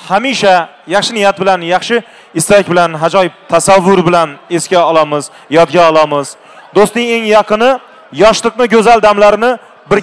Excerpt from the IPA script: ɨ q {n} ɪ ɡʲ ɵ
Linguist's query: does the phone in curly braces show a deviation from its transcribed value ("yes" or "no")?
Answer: no